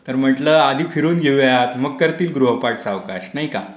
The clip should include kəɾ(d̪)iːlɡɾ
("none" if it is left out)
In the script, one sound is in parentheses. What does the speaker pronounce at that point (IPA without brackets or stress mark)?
t̪